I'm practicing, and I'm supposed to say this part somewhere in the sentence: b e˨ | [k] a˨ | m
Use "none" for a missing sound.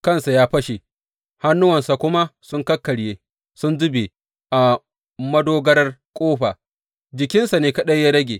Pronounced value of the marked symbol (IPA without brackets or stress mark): ʔ